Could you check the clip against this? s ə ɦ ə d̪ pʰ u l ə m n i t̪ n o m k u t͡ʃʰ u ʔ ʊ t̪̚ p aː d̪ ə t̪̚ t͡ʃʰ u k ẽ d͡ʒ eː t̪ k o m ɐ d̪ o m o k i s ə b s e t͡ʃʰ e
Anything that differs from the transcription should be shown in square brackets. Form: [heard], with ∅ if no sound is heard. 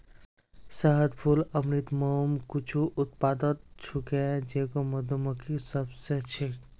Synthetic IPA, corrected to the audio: s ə ɦ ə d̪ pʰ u l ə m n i t̪ [m] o m k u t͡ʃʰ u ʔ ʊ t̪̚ p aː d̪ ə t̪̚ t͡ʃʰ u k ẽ d͡ʒ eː [∅] k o m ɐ d̪ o m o k i s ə b s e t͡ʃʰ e